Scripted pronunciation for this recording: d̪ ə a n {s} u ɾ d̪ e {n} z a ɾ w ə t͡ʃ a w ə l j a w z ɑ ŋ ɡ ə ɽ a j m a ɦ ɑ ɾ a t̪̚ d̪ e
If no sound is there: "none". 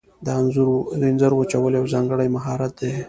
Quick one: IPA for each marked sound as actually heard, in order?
z, n

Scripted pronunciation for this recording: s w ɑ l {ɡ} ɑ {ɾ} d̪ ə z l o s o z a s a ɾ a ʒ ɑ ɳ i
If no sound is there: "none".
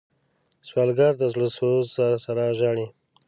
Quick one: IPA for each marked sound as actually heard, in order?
ɡ, ɾ

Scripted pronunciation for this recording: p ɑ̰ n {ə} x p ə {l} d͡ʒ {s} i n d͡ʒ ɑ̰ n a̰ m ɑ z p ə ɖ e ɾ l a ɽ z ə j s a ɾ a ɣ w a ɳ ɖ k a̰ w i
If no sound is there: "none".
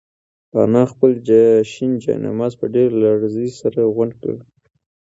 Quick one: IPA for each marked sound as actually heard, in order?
ɑ, l, ʃ

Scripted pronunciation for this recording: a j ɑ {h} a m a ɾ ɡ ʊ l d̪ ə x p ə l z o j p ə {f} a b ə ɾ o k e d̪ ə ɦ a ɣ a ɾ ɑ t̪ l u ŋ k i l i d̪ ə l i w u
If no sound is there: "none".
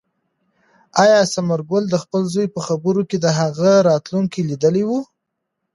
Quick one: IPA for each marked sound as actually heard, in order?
s, x

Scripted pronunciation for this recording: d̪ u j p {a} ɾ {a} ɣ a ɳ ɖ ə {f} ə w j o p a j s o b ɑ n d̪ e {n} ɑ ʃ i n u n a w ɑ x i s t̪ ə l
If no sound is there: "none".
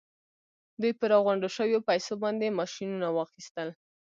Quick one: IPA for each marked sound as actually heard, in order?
ə, ɑ, ʃ, m

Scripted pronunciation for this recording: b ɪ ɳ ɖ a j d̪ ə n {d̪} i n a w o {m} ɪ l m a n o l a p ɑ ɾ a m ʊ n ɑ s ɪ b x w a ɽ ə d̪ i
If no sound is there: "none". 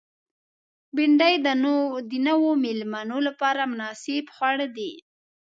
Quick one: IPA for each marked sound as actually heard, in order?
d̪, m

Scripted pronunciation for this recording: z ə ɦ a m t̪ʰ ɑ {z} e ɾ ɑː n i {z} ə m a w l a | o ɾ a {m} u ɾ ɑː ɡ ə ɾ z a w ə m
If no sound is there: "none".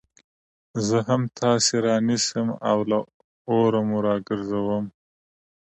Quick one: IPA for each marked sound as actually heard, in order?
s, s, m

